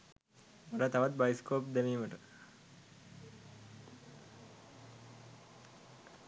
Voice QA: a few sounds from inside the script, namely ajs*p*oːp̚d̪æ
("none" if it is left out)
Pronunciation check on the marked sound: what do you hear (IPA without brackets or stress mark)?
k